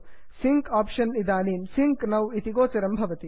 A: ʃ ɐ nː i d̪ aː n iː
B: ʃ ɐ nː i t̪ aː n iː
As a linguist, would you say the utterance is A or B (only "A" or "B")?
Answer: A